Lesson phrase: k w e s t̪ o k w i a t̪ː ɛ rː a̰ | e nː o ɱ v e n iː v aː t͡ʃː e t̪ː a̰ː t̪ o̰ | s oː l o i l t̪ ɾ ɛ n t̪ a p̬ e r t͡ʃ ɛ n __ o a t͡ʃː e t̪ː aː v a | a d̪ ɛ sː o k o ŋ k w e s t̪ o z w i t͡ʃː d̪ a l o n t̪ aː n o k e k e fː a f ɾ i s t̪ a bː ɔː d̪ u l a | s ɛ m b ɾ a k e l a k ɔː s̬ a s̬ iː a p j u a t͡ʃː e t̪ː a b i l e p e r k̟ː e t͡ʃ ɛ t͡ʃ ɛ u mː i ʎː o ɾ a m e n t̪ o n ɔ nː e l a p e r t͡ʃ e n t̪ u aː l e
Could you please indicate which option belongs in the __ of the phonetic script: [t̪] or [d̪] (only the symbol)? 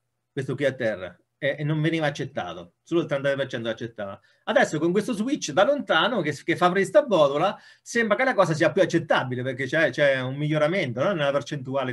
t̪